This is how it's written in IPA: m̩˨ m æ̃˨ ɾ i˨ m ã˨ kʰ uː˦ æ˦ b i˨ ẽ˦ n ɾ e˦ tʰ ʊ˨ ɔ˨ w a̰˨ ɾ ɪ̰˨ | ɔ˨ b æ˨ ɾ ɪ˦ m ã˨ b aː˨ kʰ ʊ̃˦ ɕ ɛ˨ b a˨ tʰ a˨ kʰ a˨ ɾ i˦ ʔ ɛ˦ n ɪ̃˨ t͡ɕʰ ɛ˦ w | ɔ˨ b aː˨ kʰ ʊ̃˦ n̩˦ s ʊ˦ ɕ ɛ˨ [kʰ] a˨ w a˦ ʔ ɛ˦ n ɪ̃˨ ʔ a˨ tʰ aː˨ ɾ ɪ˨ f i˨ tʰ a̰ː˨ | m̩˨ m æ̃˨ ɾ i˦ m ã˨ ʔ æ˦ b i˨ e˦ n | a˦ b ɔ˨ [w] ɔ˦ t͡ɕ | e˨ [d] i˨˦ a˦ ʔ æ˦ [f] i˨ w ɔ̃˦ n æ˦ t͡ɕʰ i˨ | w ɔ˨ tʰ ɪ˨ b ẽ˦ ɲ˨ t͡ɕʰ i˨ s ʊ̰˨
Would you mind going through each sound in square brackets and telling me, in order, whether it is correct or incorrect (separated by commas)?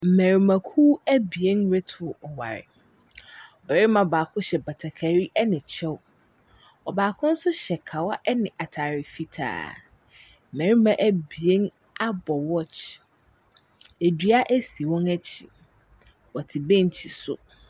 correct, correct, correct, incorrect